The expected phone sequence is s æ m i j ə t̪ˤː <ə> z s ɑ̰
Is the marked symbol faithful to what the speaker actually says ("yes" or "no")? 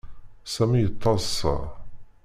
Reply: no